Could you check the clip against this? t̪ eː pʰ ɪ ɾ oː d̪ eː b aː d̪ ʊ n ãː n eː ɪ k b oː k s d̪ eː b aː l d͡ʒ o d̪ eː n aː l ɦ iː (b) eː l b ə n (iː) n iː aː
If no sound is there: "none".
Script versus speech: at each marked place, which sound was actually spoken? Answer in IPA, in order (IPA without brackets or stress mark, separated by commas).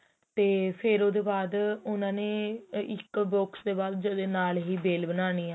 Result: b, aː